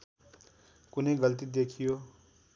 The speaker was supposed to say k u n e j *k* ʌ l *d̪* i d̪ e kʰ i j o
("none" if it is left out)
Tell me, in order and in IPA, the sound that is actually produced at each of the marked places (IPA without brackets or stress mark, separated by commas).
ɡ, t̪